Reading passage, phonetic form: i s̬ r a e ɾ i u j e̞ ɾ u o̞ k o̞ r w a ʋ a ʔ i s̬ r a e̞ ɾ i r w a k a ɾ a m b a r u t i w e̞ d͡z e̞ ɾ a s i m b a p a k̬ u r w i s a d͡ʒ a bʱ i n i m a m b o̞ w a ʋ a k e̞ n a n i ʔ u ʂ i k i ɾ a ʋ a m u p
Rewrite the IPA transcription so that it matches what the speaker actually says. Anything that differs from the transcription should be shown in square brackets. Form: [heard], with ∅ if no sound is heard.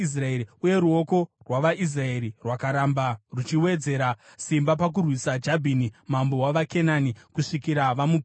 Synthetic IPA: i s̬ r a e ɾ i u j e̞ ɾ u o̞ k o̞ r w a ʋ a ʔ i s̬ r a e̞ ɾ i r w a k a ɾ a m b a r u [t͡ʃ] i w e̞ d͡z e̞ ɾ a s i m b a p a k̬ u r w i s a d͡ʒ a bʱ i n i m a m b o̞ w a ʋ a k e̞ n a n i [k] u ʂ i k i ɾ a ʋ a m u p